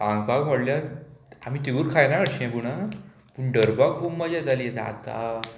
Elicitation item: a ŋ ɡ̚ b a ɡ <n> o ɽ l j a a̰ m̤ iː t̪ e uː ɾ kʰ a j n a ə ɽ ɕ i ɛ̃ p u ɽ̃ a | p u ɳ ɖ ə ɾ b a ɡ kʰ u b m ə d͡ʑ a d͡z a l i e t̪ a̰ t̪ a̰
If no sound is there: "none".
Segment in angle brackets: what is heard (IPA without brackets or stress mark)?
m